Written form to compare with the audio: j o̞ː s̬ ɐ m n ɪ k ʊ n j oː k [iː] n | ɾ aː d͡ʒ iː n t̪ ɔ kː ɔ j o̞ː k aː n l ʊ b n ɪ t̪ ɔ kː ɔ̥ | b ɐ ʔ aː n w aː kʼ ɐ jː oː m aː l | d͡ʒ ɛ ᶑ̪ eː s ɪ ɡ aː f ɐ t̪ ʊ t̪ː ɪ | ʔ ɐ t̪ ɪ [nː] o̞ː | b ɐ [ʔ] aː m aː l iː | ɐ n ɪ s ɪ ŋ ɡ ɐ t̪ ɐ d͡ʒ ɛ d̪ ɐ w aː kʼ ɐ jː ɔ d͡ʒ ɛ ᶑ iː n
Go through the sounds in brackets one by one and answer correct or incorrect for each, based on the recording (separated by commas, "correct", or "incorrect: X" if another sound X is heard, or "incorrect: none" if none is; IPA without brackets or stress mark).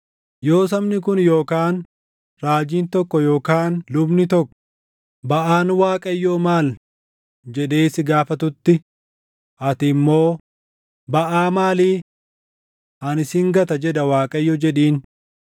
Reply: incorrect: aː, incorrect: mː, correct